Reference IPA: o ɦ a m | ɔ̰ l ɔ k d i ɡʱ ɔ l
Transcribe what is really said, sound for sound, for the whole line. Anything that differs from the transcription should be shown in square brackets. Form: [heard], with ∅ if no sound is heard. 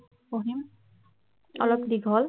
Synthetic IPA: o ɦ [i] m | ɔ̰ l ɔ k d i ɡʱ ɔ l